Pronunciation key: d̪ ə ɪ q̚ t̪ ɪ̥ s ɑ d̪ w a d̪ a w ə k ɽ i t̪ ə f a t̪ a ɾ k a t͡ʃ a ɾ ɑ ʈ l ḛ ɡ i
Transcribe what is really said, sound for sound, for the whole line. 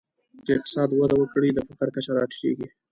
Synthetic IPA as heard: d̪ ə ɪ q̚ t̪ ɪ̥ s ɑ d̪ w a d̪ a w ə k ɽ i d̪ ə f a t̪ a ɾ k a t͡ʃ a ɾ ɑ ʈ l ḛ ɡ i